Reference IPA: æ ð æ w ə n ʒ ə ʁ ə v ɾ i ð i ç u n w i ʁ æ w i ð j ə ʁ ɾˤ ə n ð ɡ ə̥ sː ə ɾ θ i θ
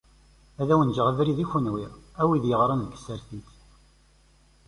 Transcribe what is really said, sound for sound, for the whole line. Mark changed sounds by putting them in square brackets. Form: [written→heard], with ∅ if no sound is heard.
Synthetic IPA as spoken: æ ð æ w ə n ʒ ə ʁ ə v ɾ i ð i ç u n w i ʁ æ w i ð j ə ʁ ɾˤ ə n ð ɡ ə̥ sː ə ɾ θ i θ